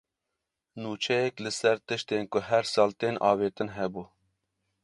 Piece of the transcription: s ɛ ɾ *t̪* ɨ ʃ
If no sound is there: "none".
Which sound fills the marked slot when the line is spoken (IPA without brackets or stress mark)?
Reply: t̪